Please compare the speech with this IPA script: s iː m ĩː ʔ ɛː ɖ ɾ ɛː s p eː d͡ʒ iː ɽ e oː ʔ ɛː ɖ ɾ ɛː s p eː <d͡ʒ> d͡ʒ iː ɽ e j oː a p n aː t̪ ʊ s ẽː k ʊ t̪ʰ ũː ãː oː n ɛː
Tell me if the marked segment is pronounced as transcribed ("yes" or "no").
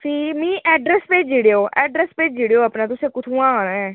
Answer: yes